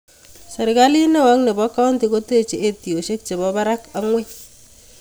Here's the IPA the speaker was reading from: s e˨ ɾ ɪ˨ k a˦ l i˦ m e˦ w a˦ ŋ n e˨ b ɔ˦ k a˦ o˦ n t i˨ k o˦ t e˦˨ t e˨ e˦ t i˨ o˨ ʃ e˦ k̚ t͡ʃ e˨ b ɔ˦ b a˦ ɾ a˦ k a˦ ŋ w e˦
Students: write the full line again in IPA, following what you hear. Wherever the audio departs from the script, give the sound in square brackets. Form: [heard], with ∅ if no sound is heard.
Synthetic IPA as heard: s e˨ ɾ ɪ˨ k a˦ l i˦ [n] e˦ w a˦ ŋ n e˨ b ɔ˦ k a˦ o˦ n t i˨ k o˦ t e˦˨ [t͡ʃ] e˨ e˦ t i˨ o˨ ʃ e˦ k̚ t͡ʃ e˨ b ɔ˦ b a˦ ɾ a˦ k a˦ ŋ w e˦

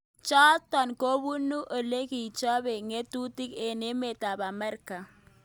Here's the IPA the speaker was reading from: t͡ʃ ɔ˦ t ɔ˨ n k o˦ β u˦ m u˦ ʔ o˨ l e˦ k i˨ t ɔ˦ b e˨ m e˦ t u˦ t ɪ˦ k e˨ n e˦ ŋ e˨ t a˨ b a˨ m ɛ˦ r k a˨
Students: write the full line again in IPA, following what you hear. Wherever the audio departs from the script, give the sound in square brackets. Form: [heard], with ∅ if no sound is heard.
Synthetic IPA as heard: t͡ʃ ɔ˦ t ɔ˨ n k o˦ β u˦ [n] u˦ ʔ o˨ l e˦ k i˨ [t͡ʃ] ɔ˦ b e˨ [ŋ] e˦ t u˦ t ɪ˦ k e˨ n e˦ [m] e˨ t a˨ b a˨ m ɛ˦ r k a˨

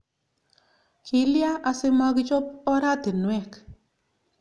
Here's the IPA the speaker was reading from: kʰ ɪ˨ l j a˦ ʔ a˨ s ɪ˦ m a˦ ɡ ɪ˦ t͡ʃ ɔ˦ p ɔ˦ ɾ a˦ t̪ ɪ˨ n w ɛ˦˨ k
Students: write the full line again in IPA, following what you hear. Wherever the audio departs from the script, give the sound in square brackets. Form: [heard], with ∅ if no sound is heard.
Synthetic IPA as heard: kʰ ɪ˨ l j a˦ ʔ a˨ s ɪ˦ m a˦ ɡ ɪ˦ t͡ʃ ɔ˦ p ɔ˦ ɾ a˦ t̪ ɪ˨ n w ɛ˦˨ k

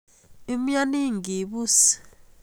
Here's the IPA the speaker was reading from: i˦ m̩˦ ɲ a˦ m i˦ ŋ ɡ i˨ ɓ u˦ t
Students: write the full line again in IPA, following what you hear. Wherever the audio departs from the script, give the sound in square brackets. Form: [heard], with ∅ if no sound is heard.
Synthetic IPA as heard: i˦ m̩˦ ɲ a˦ [n] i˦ ŋ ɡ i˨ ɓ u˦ [s]

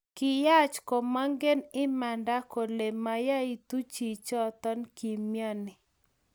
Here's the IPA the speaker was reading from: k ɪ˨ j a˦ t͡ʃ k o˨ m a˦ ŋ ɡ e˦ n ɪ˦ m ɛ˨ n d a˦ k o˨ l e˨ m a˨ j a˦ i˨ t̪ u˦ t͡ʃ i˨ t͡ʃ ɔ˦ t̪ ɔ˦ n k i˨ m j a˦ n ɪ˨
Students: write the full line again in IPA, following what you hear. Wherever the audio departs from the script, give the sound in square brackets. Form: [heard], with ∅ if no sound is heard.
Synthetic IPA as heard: k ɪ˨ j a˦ t͡ʃ k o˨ m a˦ ŋ ɡ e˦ n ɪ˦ m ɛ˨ n d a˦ k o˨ l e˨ m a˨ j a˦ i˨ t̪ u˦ t͡ʃ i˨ t͡ʃ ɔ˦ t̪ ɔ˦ n k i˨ m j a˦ n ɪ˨

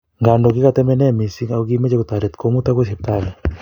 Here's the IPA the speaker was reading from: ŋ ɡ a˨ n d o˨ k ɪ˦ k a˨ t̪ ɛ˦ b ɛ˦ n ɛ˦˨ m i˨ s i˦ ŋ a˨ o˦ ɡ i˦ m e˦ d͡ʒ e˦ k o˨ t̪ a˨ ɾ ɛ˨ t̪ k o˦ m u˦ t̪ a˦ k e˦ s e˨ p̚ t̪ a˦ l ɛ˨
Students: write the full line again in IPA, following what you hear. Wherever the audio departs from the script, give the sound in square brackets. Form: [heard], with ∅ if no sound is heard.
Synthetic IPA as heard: ŋ ɡ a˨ n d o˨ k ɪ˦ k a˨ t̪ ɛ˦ [m] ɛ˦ n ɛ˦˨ m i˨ s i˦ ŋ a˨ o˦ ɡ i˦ m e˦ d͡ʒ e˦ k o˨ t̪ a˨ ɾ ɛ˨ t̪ k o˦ m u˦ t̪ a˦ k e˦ s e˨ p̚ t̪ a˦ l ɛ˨

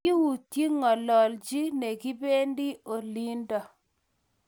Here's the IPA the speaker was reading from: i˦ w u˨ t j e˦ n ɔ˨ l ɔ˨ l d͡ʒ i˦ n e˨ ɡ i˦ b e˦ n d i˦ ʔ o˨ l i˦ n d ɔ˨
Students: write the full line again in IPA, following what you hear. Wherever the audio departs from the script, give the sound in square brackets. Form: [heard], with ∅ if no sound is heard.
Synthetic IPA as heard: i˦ w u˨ t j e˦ [ŋ] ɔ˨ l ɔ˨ l d͡ʒ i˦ n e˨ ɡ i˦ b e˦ n d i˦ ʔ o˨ l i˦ n d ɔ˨

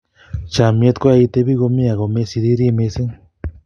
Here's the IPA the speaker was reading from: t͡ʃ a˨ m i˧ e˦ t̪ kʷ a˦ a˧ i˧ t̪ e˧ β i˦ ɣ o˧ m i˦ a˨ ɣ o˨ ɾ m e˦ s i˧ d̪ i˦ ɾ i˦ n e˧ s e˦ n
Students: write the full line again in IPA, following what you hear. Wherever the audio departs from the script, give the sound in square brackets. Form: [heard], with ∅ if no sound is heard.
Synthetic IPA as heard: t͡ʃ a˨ m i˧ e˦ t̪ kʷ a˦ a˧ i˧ t̪ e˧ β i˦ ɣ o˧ m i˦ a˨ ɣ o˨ [∅] m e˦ s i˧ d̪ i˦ ɾ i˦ [m] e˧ s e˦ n

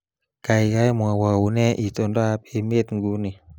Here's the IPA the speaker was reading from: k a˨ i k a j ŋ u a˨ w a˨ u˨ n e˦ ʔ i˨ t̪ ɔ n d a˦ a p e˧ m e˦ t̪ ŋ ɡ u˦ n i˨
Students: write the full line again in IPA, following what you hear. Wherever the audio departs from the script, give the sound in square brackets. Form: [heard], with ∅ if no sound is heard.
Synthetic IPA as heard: k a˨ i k a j [m] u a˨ w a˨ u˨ n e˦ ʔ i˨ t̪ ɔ n d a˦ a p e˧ m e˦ t̪ ŋ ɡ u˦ n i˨

